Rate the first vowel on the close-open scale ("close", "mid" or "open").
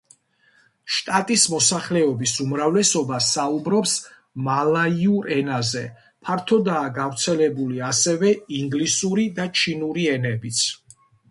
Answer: open